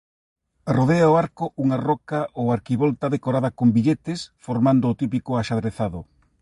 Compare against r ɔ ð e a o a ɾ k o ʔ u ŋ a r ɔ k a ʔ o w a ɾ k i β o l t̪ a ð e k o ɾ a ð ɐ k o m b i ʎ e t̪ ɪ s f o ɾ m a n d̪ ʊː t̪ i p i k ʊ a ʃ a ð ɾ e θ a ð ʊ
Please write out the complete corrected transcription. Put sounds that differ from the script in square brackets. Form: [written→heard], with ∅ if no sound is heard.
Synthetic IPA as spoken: r [ɔ→o] ð e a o a ɾ k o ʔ u ŋ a r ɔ k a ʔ o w a ɾ k i β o l t̪ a ð e k o ɾ a ð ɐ k o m b i ʎ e t̪ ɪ s f o ɾ m a n d̪ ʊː t̪ i p i k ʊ a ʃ a ð ɾ e θ a ð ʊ